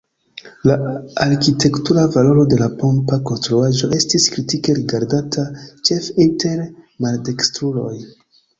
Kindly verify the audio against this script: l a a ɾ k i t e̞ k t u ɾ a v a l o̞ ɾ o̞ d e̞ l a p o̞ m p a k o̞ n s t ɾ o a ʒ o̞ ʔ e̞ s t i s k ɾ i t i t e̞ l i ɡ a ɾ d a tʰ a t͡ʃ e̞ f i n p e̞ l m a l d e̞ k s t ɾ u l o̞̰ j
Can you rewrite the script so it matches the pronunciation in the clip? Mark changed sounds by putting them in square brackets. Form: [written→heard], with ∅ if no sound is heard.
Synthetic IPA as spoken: l a a ɾ k i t e̞ k t u ɾ a v a l o̞ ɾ o̞ d e̞ l a p o̞ m p a k o̞ n s t ɾ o a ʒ o̞ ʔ e̞ s t i s k ɾ i t i [t→k] e̞ [l→ɾ] i ɡ a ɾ d a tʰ a t͡ʃ e̞ f i n [p→t] e̞ [l→ɾ] m a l d e̞ k s t ɾ u l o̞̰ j